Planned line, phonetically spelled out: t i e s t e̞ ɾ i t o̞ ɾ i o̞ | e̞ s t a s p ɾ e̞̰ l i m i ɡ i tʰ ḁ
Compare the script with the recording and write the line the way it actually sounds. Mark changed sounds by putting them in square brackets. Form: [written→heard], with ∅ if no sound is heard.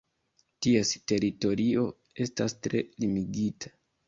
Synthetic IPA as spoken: t i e s t e̞ ɾ i t o̞ ɾ i o̞ | e̞ s t a s [p→t] ɾ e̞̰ l i m i ɡ i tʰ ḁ